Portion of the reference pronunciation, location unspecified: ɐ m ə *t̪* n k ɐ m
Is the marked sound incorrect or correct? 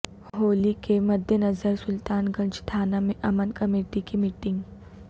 incorrect